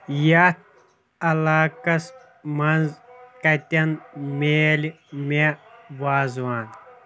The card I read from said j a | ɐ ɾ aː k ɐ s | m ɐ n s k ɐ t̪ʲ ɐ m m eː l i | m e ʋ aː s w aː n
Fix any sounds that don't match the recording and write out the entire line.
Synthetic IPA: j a | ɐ l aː k ɐ s | m ɐ n z k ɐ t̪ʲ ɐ n m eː l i | m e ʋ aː z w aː n